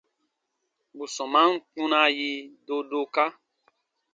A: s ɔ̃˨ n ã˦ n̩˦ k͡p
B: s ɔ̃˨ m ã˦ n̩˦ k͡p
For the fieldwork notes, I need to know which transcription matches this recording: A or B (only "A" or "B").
B